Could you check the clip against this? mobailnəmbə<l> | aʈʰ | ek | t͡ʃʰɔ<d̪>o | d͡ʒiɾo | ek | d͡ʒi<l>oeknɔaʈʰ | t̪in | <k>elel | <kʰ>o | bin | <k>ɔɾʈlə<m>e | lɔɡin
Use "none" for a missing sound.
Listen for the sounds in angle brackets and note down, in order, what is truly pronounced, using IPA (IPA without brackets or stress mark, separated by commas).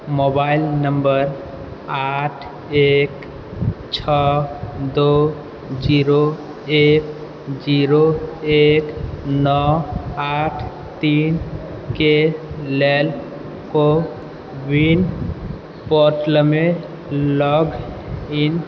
ɾ, d̪, ɾ, k, k, p, m